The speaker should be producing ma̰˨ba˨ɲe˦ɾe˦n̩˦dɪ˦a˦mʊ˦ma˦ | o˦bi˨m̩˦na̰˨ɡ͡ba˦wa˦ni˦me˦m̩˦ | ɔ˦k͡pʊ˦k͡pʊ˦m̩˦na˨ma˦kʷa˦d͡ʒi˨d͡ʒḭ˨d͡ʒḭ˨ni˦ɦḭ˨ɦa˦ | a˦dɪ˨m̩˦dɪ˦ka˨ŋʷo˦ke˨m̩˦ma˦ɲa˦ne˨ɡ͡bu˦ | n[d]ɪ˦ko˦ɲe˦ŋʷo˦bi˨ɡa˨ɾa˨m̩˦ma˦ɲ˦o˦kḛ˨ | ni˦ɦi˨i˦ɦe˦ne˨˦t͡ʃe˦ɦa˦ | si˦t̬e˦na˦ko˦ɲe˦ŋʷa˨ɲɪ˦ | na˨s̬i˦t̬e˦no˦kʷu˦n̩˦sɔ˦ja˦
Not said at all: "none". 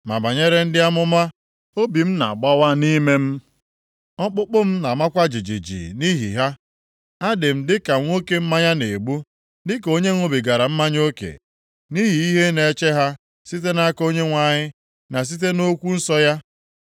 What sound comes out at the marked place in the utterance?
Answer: d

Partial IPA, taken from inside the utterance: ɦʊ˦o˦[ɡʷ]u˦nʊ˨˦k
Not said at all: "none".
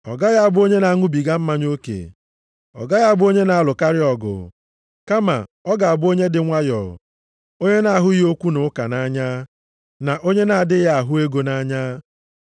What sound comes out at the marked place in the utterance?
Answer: kʷ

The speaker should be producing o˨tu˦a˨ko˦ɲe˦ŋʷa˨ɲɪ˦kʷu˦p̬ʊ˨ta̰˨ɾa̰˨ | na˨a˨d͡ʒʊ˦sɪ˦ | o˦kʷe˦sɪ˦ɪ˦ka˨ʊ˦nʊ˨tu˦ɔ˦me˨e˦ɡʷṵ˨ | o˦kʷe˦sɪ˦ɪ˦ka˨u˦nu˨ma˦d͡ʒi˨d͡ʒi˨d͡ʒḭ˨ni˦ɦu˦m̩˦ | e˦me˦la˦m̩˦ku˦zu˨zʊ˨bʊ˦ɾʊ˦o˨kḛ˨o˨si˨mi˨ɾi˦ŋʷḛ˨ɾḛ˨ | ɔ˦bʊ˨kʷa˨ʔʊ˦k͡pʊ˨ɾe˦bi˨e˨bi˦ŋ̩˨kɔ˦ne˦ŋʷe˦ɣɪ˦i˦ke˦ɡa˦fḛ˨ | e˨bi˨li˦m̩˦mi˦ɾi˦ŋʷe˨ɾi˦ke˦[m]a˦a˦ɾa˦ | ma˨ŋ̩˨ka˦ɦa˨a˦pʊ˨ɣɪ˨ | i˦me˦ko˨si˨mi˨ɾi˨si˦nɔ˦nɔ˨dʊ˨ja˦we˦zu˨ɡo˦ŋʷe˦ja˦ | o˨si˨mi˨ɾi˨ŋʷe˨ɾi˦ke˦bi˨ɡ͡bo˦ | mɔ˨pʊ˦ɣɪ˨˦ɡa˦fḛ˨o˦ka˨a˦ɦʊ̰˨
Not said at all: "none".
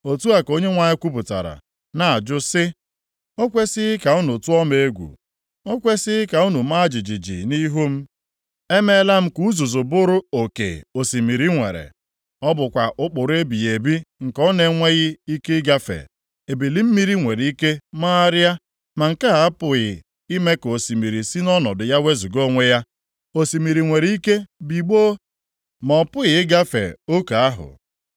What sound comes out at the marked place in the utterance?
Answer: m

